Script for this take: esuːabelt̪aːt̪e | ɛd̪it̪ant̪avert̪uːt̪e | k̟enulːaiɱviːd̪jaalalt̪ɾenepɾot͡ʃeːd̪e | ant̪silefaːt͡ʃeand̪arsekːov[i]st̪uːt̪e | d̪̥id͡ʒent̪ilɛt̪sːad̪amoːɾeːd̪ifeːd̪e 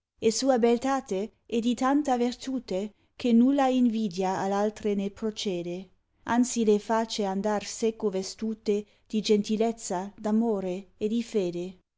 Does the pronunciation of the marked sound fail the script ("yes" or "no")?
yes